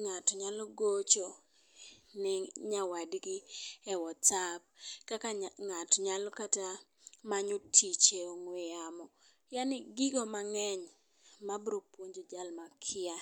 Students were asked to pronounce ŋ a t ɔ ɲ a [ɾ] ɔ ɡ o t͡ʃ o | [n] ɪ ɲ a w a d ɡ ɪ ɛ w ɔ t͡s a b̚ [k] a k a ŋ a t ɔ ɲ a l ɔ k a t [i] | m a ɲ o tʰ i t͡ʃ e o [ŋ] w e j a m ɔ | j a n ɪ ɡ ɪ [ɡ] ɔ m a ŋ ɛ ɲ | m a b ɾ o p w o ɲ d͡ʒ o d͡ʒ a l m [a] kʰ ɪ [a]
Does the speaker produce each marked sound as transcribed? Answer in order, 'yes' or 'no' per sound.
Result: no, yes, yes, no, yes, yes, yes, yes

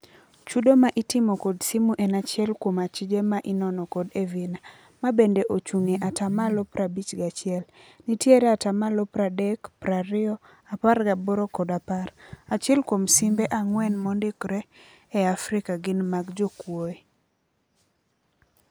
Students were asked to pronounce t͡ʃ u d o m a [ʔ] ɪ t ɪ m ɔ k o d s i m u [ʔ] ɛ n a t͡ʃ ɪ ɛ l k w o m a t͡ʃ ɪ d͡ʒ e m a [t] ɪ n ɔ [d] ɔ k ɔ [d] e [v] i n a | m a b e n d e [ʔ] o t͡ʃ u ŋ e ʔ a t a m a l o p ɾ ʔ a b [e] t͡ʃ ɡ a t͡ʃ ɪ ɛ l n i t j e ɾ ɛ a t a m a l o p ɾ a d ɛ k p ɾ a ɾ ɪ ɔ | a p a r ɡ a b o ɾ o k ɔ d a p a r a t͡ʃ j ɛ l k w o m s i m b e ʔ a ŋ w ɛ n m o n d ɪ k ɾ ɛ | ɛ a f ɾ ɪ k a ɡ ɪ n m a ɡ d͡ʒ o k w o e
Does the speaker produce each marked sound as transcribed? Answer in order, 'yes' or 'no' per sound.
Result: yes, yes, no, no, yes, yes, yes, no

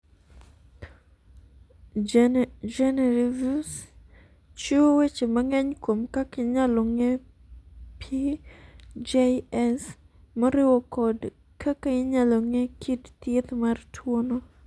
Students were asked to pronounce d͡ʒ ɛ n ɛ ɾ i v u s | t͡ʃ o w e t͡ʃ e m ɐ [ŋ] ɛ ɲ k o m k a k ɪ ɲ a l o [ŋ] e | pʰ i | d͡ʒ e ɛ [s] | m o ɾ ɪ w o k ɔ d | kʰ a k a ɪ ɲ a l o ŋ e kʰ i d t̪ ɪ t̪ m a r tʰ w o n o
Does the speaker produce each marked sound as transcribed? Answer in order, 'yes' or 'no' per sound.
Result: yes, yes, yes

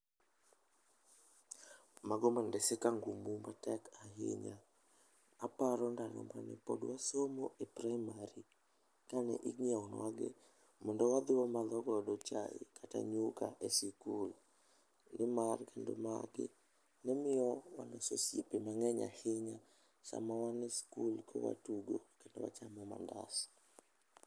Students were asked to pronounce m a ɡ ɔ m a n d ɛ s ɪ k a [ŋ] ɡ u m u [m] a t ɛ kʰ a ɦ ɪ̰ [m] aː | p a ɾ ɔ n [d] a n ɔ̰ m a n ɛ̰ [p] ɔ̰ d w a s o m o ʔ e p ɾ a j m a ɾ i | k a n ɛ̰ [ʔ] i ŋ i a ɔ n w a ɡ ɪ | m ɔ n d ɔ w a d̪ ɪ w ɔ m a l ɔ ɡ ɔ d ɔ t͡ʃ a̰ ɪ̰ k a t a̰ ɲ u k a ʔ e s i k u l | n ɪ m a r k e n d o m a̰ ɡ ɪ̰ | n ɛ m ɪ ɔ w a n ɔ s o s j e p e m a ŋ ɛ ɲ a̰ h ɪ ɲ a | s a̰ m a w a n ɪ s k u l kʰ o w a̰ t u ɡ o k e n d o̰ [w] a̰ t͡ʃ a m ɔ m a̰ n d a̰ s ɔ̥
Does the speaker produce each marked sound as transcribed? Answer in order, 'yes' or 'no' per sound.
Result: yes, yes, no, yes, yes, yes, yes

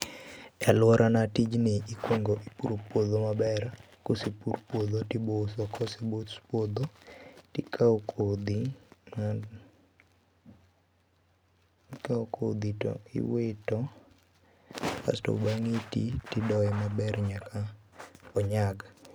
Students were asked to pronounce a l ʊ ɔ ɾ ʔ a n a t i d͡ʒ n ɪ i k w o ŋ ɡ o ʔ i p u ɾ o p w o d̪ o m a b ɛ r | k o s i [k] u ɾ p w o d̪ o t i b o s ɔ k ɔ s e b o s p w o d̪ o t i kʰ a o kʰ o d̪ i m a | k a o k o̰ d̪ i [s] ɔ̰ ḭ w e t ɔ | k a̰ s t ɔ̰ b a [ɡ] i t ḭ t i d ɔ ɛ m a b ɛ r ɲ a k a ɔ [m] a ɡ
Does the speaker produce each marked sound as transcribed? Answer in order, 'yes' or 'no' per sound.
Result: no, no, no, no

